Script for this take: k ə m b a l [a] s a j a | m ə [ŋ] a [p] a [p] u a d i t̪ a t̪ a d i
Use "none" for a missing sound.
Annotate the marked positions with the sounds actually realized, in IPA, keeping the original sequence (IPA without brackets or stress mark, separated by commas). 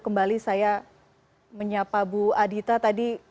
i, ɲ, p, b